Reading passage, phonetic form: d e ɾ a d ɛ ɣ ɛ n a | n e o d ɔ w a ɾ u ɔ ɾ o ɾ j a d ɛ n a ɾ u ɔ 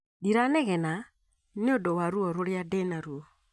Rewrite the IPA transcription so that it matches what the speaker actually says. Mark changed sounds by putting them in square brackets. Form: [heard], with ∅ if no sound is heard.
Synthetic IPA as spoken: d [i] ɾ a [n] ɛ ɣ ɛ n a | n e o d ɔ w a ɾ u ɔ ɾ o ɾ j a d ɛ n a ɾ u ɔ